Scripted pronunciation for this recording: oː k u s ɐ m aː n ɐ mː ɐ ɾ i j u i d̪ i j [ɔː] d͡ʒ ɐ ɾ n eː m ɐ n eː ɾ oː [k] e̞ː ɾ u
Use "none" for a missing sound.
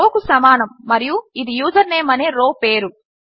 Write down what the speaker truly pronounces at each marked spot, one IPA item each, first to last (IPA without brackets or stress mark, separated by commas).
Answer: uː, p